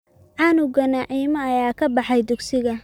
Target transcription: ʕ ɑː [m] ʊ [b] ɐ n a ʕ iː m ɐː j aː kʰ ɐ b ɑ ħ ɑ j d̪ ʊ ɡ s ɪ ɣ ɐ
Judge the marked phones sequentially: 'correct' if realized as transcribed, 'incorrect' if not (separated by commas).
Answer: incorrect, incorrect